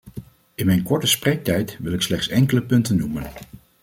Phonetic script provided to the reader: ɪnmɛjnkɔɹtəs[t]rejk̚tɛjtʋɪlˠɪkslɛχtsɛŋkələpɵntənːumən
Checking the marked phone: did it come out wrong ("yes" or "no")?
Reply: yes